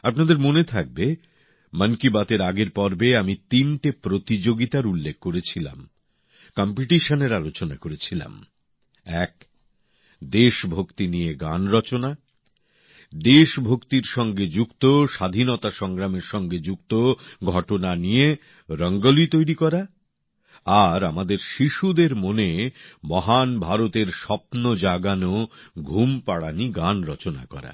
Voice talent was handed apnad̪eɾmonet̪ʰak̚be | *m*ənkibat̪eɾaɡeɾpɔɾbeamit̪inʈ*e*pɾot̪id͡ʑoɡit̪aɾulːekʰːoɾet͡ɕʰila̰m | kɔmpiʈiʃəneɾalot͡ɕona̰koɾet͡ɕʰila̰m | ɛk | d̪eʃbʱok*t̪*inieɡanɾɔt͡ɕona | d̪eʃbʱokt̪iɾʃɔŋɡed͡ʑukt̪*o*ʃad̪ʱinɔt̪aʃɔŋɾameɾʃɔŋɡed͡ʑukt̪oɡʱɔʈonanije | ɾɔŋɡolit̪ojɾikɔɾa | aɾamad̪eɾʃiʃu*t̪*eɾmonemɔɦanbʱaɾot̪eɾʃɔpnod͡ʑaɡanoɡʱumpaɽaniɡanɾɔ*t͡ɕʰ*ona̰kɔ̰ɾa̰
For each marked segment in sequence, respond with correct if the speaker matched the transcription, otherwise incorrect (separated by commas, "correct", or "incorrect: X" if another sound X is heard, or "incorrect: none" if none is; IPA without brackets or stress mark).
correct, correct, correct, correct, incorrect: d̪, incorrect: t͡ɕ